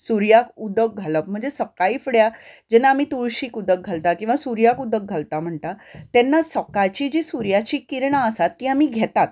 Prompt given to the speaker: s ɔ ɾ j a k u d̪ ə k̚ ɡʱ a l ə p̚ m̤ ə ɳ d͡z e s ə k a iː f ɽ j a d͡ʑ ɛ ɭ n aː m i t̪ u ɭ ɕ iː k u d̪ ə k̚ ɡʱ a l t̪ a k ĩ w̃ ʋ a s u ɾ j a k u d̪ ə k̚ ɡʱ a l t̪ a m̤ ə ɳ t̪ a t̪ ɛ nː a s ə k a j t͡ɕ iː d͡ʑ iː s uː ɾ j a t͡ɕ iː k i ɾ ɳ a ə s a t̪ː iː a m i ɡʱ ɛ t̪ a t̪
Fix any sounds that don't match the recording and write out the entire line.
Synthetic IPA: s u ɾ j a k u d̪ ə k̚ ɡʱ a l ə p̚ m̤ ə ɳ d͡z e s ə k a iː f ɽ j a d͡ʑ ɛ n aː m i t̪ u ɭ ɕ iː k u d̪ ə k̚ ɡʱ a l t̪ a k ĩ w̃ ʋ a s u ɾ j a k u d̪ ə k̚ ɡʱ a l t̪ a m̤ ə ɳ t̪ a t̪ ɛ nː a s ə k a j t͡ɕ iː d͡ʑ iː s u ɾ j a t͡ɕ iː k i ɾ ɳ a ə s a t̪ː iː a m i ɡʱ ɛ t̪ a t̪